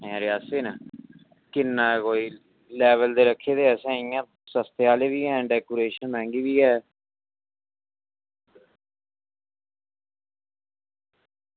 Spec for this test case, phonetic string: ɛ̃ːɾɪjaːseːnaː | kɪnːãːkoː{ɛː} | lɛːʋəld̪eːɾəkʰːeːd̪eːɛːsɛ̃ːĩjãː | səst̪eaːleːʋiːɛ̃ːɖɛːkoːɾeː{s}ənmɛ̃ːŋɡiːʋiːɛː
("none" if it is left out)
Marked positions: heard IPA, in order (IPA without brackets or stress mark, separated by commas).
iː, ʃ